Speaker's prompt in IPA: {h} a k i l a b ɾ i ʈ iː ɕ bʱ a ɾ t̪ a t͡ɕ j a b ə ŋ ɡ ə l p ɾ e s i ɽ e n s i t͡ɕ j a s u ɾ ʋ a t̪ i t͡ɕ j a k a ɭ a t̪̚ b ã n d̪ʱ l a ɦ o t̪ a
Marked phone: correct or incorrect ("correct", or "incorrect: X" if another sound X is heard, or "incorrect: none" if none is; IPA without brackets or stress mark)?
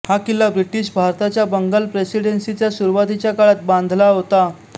correct